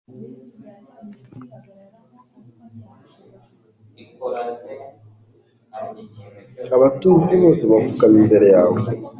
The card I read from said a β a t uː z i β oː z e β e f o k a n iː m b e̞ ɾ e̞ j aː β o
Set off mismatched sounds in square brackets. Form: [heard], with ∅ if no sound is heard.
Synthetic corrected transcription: a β a t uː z i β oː [s] e β [a] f [u] k a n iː m b e̞ ɾ e̞ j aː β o